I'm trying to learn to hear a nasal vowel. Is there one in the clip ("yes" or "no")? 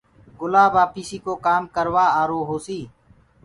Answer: no